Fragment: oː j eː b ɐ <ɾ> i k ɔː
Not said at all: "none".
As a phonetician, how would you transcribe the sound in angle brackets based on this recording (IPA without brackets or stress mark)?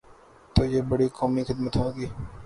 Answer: ɽ